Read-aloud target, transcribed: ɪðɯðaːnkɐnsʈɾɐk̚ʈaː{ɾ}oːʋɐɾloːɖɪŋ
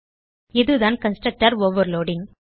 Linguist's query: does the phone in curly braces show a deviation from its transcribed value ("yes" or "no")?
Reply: no